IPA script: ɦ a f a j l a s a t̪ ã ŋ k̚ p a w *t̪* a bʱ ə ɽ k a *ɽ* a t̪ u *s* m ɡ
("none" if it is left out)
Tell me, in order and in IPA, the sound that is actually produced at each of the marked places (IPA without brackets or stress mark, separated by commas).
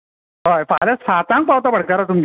t̪, ɾ, none